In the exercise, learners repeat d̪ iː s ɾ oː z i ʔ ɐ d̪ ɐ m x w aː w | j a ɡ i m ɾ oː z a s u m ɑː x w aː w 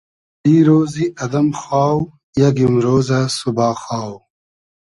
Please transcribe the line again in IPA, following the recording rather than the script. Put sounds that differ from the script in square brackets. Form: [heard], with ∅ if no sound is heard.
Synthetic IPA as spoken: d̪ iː [∅] ɾ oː z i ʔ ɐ d̪ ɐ m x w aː w | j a ɡ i m ɾ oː z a s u [b] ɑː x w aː w